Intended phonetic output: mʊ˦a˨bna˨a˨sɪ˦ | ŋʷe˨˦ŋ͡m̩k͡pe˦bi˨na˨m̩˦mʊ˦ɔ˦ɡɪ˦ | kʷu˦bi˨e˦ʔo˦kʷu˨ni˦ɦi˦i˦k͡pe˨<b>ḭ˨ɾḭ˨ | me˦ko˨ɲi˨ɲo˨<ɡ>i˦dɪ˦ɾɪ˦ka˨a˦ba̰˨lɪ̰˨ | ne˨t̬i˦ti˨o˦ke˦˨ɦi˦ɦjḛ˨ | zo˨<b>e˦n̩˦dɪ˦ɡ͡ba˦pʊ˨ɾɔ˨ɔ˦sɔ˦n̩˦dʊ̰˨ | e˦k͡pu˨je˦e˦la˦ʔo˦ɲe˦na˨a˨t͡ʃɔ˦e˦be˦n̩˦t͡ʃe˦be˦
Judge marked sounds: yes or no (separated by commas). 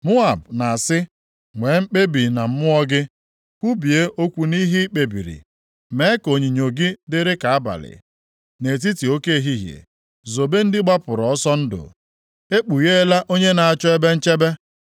yes, yes, yes